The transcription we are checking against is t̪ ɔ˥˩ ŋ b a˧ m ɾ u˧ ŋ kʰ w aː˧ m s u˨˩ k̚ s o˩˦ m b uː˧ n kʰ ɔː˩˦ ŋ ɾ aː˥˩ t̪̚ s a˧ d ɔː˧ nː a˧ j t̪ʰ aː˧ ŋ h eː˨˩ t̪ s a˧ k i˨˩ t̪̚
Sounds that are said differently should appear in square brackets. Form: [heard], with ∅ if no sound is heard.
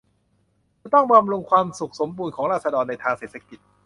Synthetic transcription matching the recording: t̪ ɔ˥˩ ŋ b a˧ m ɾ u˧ ŋ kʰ w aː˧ m s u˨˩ k̚ s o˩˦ m b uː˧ n kʰ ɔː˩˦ ŋ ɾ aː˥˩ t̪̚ s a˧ d ɔː˧ nː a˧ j t̪ʰ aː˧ ŋ [s] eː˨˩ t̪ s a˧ k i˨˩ t̪̚

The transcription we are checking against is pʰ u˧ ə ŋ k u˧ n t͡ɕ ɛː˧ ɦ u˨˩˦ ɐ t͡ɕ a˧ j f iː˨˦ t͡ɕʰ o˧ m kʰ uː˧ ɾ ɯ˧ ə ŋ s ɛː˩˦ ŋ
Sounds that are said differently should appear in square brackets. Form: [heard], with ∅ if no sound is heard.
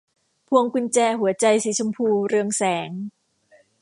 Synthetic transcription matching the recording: pʰ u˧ ə ŋ k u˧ n t͡ɕ ɛː˧ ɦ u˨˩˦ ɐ t͡ɕ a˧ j [s] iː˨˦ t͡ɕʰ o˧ m [pʰ] uː˧ ɾ ɯ˧ ə ŋ s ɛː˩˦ ŋ

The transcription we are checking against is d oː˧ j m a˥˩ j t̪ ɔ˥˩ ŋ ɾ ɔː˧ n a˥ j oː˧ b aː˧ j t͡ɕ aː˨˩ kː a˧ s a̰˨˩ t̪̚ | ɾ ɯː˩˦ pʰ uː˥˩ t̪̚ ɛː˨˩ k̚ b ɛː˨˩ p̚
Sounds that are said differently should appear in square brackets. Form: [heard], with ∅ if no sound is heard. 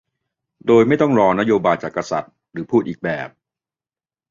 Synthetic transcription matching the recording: d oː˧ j m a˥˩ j t̪ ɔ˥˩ ŋ ɾ ɔː˧ n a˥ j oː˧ b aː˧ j t͡ɕ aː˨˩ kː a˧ s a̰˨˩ t̪̚ | ɾ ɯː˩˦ pʰ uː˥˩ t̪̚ [iː˨˩] k̚ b ɛː˨˩ p̚

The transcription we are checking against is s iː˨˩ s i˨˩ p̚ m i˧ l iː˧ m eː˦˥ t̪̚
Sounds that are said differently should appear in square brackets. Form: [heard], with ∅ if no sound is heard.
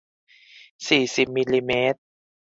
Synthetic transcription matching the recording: s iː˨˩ s i˨˩ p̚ m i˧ l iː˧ m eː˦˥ t̪̚

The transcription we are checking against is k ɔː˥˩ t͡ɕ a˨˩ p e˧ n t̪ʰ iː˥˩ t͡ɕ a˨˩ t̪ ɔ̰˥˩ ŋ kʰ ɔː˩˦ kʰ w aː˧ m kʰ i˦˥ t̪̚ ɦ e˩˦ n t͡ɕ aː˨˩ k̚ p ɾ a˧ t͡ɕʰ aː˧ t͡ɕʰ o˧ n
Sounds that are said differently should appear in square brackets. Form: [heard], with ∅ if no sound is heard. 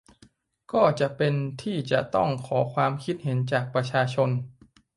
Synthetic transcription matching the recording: k ɔː˥˩ t͡ɕ a˨˩ p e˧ n t̪ʰ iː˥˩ t͡ɕ a˨˩ t̪ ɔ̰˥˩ ŋ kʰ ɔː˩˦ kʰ w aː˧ m kʰ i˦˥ t̪̚ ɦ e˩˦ n t͡ɕ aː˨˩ k̚ p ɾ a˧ t͡ɕʰ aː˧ t͡ɕʰ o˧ n

